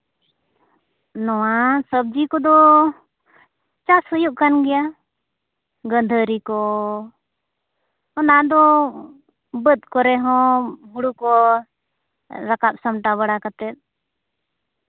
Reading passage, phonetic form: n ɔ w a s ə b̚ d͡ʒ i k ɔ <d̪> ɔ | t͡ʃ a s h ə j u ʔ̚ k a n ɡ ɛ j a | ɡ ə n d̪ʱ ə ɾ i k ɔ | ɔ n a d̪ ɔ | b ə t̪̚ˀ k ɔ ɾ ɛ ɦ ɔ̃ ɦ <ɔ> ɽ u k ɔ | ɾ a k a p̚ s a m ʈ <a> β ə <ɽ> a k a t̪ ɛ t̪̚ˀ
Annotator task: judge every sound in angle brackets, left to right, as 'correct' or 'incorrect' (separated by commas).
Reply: correct, incorrect, correct, correct